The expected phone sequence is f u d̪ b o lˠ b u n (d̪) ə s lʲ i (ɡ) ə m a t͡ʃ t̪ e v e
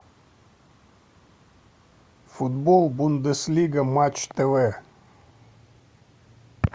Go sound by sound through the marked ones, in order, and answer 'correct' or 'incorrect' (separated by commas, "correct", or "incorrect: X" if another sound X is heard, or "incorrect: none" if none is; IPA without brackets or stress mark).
correct, correct